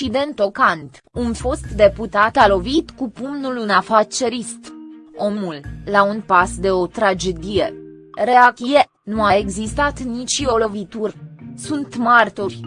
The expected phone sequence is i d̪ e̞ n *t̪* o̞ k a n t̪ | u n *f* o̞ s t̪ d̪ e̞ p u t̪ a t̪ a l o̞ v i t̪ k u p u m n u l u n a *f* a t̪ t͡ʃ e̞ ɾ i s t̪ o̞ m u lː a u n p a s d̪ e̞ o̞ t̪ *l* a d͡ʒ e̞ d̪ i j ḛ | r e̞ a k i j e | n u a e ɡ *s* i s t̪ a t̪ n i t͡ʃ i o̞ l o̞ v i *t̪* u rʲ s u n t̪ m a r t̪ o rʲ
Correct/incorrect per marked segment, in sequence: correct, correct, correct, incorrect, incorrect, correct

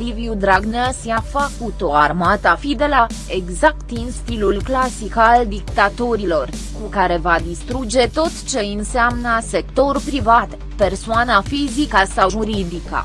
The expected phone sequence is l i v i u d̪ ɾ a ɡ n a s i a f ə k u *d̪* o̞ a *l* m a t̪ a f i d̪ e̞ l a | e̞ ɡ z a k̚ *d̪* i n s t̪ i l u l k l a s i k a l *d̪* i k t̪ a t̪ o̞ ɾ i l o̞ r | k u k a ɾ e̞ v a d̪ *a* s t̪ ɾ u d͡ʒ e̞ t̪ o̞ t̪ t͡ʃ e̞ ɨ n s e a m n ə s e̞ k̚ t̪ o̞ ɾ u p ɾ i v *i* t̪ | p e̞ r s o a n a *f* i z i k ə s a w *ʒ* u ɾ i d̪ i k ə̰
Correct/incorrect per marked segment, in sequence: incorrect, incorrect, incorrect, correct, incorrect, incorrect, correct, correct

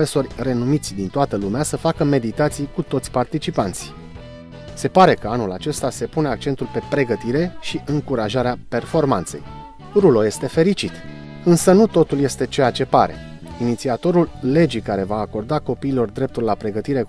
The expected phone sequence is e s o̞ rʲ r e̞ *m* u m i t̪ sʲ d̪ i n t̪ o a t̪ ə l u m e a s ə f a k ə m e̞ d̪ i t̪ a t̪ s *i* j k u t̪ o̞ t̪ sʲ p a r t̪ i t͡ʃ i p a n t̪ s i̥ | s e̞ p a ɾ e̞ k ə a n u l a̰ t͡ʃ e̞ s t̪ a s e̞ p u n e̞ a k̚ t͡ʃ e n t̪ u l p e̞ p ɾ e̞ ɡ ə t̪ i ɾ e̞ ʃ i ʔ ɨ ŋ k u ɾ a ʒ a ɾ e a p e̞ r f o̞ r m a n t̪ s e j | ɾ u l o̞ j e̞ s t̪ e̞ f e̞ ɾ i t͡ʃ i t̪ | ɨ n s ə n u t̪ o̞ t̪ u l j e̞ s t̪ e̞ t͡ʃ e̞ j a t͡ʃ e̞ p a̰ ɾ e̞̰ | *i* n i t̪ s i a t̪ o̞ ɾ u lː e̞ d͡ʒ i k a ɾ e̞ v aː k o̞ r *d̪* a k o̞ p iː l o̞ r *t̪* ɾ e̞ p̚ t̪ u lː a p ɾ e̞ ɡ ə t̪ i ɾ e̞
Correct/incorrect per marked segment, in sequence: incorrect, correct, correct, correct, incorrect

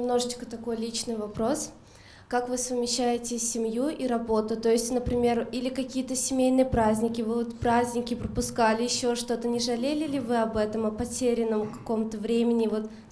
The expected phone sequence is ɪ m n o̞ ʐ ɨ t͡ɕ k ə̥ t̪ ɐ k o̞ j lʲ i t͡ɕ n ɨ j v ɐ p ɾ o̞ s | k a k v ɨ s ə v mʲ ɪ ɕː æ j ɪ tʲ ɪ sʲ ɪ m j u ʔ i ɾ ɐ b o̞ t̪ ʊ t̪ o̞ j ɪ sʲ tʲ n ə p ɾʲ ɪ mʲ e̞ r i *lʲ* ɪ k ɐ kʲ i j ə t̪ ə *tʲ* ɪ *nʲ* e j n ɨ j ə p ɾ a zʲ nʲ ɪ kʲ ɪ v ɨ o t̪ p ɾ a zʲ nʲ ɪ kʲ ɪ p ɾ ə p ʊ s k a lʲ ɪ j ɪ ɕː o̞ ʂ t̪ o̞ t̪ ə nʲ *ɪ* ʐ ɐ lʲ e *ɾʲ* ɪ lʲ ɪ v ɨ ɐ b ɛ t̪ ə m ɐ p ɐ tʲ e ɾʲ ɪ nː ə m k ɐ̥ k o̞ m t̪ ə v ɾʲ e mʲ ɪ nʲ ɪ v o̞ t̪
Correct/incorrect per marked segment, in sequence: correct, incorrect, incorrect, correct, incorrect

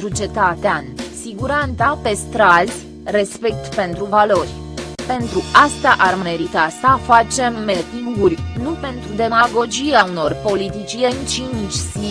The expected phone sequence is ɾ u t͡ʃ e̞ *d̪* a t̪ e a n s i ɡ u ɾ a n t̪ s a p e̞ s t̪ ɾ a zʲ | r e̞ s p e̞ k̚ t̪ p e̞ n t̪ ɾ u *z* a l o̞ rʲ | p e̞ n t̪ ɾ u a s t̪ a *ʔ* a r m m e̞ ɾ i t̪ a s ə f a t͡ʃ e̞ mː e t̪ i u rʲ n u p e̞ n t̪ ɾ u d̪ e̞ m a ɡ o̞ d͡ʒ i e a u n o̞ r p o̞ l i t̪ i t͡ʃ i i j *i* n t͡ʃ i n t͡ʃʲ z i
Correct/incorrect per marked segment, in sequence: incorrect, incorrect, correct, incorrect

